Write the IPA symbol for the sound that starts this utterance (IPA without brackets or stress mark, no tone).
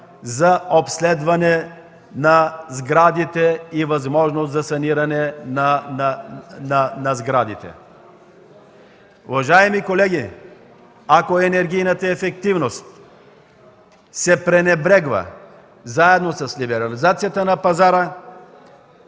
z